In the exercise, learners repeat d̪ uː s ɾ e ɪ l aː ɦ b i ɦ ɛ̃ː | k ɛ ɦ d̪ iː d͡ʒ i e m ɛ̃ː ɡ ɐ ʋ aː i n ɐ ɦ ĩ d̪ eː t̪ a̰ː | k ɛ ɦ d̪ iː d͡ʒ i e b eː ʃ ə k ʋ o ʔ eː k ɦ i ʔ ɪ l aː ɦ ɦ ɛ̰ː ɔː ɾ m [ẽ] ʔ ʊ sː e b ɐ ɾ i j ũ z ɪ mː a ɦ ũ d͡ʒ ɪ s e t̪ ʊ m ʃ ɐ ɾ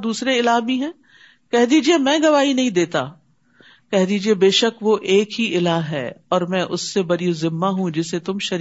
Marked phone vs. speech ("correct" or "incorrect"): incorrect